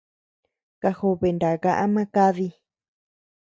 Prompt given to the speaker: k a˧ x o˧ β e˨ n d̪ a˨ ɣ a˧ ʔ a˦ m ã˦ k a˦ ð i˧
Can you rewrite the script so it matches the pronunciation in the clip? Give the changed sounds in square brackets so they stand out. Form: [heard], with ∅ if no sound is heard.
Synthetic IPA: k a˧ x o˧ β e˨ n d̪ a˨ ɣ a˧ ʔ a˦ m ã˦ k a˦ ð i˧